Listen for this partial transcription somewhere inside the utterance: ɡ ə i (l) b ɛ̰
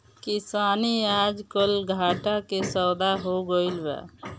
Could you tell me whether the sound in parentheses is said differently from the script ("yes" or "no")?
no